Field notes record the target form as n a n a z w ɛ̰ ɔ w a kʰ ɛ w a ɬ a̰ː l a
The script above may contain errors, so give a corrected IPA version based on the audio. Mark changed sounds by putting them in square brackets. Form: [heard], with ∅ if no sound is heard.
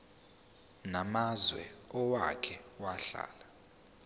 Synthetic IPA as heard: n a [m] a z w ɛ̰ ɔ w a kʰ ɛ w a ɬ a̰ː l a